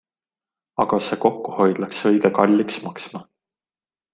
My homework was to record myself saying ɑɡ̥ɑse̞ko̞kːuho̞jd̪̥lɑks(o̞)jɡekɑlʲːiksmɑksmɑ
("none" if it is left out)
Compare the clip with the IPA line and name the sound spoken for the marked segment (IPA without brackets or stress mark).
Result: ɤ̞